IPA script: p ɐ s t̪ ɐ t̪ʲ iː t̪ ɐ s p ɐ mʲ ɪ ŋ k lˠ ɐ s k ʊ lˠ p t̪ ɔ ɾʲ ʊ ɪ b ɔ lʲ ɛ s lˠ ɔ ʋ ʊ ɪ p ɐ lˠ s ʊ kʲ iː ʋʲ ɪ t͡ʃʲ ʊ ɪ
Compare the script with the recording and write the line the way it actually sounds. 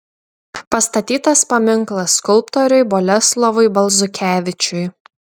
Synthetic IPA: p ɐ s t̪ ɐ t̪ʲ iː t̪ ɐ s p ɐ mʲ ɪ ŋ k lˠ ɐ s k ʊ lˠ p t̪ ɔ ɾʲ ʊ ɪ b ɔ lʲ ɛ s lˠ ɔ ʋ ʊ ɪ b ɐ lˠ z ʊ kʲ æː ʋʲ ɪ t͡ʃʲ ʊ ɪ

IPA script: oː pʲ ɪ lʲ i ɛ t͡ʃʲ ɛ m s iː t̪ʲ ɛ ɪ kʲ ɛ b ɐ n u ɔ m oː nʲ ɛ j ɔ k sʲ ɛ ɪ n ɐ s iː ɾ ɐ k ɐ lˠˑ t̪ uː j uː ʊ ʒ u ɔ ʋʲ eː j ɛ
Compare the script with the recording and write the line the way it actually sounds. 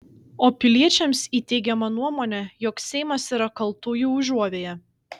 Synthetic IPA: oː pʲ ɪ lʲ i ɛ t͡ʃʲ ɛ m s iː t̪ʲ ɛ ɪ ɡʲ ɛ m ɐ n u ɔ m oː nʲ ɛ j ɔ k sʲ ɛ ɪ m ɐ s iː ɾ ɐ k ɐ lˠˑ t̪ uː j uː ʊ ʒ u ɔ ʋʲ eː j ɛ

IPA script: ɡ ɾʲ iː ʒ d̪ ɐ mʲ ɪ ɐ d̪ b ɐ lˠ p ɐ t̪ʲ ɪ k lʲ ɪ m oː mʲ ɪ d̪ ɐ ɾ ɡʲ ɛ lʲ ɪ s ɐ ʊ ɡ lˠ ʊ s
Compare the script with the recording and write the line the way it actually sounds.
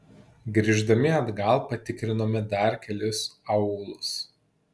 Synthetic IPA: ɡ ɾʲ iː ʒ d̪ ɐ mʲ ɪ ɐ d̪ ɡ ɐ lˠ p ɐ t̪ʲ ɪ k ɾʲ ɪ n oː mʲ ɪ d̪ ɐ ɾ kʲ ɛ lʲ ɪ s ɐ ʊ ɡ lˠ ʊ s

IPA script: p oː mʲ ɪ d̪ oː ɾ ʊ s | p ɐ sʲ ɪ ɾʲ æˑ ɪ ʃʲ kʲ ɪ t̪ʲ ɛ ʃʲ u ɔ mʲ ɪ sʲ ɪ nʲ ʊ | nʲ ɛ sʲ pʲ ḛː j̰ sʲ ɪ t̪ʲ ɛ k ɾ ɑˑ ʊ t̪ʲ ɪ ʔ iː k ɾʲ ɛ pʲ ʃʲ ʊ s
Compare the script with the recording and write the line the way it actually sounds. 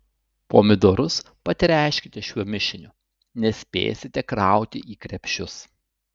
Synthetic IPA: p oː mʲ ɪ d̪ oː ɾ ʊ s | p ɐ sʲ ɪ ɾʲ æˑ ɪ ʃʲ kʲ ɪ t̪ʲ ɛ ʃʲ u ɔ mʲ ɪ ʃʲ ɪ nʲ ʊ | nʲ ɛ sʲ pʲ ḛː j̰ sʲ ɪ t̪ʲ ɛ k ɾ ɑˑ ʊ t̪ʲ ɪ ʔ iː k ɾʲ ɛ pʲ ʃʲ ʊ s

